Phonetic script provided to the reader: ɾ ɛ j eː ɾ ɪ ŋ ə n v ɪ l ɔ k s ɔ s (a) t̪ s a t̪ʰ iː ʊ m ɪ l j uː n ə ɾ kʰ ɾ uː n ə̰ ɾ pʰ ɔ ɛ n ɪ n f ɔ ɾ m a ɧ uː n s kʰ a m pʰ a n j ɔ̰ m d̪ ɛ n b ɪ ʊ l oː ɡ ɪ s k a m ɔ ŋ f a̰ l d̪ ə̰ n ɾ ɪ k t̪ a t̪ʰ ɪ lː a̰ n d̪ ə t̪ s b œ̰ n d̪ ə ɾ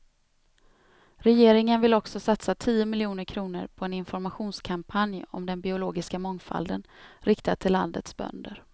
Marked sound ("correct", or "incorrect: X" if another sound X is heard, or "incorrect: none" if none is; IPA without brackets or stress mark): correct